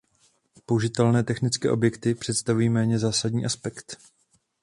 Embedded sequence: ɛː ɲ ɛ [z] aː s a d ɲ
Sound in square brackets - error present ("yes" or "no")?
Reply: no